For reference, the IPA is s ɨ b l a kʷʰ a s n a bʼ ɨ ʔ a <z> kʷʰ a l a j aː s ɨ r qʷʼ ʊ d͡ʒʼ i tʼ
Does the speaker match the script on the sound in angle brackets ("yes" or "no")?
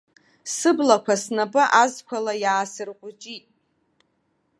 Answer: yes